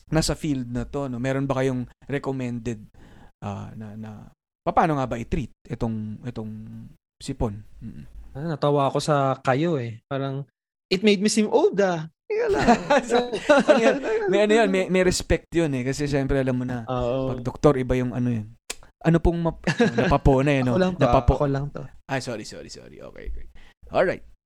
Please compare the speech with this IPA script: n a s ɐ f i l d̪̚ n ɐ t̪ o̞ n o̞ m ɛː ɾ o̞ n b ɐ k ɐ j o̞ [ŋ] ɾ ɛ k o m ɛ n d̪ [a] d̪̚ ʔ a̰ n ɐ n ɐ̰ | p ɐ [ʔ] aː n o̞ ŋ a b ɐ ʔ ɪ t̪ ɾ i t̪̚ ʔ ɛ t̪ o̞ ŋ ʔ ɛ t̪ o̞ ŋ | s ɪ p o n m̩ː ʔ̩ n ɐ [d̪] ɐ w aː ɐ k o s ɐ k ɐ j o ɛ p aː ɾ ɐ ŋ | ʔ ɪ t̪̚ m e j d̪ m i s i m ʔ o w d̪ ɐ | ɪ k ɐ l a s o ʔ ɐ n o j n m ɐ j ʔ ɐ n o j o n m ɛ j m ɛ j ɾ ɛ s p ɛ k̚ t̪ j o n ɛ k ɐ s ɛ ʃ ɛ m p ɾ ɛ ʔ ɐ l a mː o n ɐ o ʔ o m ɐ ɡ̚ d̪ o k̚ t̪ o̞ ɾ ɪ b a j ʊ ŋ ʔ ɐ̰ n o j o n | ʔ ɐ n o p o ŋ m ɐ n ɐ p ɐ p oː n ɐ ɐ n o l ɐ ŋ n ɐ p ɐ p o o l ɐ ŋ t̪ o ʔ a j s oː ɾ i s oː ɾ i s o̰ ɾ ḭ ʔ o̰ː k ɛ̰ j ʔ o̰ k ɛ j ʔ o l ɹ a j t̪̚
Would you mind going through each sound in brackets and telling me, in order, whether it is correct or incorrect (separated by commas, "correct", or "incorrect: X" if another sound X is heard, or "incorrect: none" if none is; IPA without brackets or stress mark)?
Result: correct, incorrect: ɛ, incorrect: p, incorrect: t̪